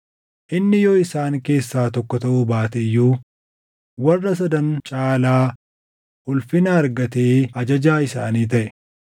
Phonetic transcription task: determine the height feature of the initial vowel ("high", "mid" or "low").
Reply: high